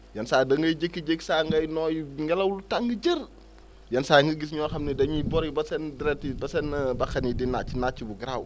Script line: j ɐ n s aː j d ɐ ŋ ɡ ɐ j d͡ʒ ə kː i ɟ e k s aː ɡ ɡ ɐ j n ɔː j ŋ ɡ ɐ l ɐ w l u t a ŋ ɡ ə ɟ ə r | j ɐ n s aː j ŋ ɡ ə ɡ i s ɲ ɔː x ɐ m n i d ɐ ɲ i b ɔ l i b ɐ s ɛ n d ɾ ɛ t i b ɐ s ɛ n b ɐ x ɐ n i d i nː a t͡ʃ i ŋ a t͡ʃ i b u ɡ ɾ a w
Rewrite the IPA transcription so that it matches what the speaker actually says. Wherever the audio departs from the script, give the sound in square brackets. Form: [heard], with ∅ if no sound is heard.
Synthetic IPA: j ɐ n s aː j d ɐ ŋ ɡ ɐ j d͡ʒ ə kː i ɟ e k s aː [ŋ] ɡ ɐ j n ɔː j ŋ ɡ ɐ l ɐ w l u t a ŋ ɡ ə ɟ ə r | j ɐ n s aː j ŋ ɡ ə ɡ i s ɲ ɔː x ɐ m n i d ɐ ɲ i b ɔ [ɾ] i b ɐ s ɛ n d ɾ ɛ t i b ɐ s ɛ n b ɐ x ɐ n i d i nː a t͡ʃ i [n] a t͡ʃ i b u ɡ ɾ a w